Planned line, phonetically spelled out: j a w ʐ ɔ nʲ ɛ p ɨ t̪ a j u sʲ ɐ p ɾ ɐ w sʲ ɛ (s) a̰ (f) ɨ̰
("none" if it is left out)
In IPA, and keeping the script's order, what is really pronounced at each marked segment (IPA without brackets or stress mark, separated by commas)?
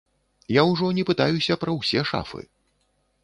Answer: ʂ, f